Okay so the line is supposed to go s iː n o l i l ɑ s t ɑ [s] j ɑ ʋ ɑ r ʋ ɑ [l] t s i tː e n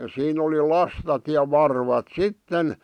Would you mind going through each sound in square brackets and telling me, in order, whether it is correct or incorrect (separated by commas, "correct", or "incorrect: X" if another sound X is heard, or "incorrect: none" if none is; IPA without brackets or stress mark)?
incorrect: t, incorrect: none